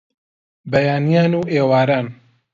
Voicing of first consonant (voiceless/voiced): voiced